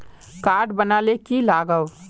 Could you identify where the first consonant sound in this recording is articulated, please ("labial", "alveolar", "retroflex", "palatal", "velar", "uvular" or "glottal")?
velar